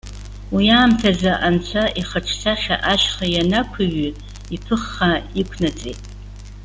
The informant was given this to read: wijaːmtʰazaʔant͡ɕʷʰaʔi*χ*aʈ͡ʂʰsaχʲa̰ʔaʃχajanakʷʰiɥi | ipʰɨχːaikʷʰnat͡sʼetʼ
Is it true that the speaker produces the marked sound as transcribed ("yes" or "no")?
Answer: yes